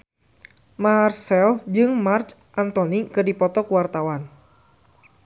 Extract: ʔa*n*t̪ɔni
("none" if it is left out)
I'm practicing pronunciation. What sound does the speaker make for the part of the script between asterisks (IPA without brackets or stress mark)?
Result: n